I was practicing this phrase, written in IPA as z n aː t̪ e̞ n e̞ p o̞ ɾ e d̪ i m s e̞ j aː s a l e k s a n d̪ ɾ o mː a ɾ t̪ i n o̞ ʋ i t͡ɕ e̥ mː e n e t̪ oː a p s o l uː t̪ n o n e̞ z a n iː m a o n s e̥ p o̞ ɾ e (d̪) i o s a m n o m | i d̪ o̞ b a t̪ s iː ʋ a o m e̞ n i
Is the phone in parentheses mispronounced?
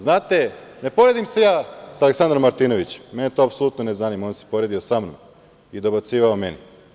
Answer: no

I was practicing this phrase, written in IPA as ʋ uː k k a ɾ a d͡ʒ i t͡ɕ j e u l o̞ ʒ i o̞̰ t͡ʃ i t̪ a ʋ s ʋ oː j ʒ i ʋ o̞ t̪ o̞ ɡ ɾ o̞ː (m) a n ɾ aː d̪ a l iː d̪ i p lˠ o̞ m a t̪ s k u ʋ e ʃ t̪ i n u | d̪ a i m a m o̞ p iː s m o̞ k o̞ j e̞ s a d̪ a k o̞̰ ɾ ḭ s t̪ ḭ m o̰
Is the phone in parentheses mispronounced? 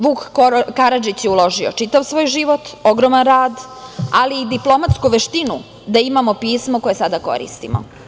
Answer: no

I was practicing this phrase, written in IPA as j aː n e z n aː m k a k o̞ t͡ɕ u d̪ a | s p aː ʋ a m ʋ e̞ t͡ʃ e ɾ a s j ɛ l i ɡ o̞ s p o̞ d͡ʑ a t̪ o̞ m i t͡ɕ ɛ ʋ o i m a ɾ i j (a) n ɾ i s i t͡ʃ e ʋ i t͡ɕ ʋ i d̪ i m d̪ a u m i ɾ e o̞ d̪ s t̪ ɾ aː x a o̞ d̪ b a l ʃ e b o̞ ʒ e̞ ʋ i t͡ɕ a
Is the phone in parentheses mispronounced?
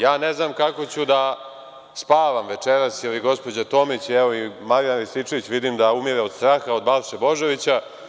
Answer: no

